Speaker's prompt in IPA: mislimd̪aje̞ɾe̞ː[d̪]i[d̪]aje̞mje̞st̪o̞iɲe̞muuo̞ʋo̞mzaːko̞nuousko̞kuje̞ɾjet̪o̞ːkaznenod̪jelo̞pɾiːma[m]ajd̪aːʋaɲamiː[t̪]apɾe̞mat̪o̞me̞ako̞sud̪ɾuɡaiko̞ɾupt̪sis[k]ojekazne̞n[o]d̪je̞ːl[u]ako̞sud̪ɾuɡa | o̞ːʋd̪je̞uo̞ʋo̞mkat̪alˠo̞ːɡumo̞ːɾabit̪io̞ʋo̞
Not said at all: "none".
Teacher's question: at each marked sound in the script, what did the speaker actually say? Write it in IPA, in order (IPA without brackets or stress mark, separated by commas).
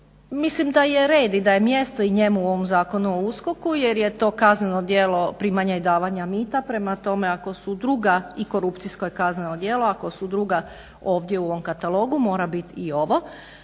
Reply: d̪, d̪, ɲ, t̪, k, o, o